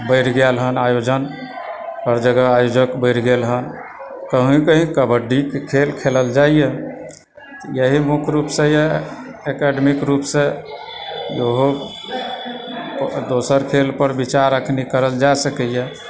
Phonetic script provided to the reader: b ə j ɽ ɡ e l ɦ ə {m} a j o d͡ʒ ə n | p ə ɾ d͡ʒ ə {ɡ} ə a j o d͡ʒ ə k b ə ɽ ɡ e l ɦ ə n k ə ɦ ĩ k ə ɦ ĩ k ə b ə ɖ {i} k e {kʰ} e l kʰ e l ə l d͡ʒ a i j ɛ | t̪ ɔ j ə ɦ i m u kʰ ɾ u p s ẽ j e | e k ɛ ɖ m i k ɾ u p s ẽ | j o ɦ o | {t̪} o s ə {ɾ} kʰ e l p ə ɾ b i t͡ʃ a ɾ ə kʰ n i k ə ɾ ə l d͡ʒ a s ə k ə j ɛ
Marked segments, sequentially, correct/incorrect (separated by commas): incorrect, correct, correct, correct, incorrect, correct